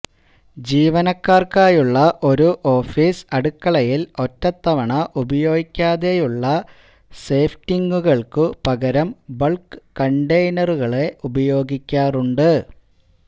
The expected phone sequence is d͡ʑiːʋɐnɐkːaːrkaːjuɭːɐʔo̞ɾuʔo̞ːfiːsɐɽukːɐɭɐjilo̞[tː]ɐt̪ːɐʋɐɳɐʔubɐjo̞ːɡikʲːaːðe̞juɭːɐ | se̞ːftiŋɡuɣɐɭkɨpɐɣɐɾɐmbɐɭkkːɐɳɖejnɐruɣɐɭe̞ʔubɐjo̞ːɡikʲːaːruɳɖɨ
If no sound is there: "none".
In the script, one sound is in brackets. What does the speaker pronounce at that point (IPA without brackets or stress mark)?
tː